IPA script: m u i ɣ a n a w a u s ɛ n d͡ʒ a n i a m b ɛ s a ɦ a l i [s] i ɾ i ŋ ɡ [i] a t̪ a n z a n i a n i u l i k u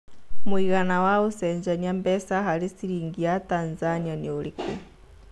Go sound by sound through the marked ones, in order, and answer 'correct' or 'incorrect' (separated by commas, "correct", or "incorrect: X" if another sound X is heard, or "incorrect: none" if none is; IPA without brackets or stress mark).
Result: correct, correct